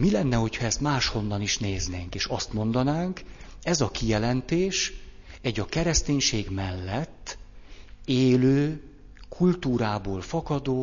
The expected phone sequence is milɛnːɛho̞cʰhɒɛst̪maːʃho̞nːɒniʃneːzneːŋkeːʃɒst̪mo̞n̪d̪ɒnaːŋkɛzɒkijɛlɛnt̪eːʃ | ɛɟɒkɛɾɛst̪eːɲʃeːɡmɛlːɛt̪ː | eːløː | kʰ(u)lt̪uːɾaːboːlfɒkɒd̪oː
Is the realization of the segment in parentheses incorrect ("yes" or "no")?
no